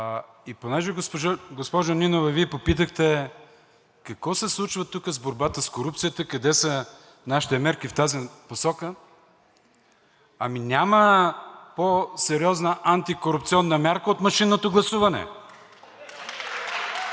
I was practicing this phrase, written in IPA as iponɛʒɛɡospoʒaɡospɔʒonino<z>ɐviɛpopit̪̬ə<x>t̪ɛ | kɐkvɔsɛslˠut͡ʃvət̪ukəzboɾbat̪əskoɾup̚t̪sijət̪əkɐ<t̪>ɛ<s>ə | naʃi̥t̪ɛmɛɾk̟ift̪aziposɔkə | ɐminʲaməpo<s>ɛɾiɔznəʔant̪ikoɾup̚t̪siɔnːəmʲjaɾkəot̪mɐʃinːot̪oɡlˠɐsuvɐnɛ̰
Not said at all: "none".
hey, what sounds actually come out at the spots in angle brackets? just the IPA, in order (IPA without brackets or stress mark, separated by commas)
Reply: v, x, d̪, s, s